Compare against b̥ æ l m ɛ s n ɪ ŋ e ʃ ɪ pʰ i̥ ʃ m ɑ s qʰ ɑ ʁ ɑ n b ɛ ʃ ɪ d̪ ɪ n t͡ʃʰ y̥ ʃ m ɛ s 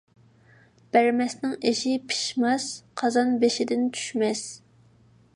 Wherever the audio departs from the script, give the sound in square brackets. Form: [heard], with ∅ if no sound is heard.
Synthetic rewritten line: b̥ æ [ɾ] m ɛ s n ɪ ŋ e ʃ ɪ pʰ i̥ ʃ m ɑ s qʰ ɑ [z] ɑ n b [e] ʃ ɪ d̪ ɪ n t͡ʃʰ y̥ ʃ m ɛ s